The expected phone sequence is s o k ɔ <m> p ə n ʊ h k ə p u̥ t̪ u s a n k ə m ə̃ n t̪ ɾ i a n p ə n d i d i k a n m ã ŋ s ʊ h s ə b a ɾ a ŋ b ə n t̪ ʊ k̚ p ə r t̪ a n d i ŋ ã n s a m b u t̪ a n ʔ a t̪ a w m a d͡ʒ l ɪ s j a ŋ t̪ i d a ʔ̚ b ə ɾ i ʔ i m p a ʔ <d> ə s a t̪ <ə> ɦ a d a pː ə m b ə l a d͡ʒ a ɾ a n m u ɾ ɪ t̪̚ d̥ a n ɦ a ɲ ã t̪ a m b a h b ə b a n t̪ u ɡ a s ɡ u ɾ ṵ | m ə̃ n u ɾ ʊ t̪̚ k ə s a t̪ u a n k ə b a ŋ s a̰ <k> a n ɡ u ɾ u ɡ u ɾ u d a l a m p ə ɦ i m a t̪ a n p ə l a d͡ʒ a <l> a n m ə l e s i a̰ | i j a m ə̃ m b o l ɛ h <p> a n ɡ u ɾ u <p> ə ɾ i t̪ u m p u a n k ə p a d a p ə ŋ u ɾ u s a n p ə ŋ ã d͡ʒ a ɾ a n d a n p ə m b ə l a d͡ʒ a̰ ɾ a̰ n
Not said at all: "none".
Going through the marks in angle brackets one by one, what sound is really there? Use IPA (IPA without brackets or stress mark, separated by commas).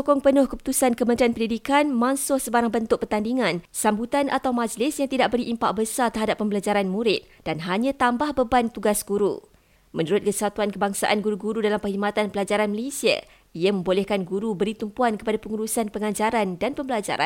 ŋ, b, ə, ʔ, ɾ, k, b